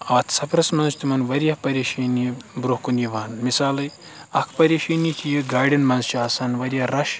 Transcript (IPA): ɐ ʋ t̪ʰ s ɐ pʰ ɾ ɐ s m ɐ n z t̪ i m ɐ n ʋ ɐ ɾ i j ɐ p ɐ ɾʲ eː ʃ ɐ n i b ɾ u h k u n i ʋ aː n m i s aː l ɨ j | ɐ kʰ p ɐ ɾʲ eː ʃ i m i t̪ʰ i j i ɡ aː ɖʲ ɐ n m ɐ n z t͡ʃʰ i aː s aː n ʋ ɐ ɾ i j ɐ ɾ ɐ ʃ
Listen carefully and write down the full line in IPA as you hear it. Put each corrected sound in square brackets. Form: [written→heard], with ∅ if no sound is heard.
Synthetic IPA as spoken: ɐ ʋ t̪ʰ s ɐ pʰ ɾ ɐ s m ɐ n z t̪ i m ɐ n ʋ ɐ ɾ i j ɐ p ɐ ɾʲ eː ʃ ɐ n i b ɾ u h k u n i ʋ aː n m i s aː l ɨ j | ɐ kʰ p ɐ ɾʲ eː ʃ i [m→n] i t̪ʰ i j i ɡ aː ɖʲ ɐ n m ɐ n z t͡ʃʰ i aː s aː n ʋ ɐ ɾ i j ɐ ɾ ɐ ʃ